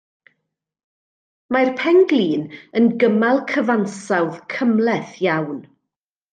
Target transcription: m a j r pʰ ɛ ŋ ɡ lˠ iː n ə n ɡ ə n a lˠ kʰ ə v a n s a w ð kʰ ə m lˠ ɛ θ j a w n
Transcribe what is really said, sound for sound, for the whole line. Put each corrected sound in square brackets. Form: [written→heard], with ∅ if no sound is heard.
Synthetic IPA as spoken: m a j r pʰ ɛ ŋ ɡ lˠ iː n ə n ɡ ə [n→m] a lˠ kʰ ə v a n s a w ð kʰ ə m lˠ ɛ θ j a w n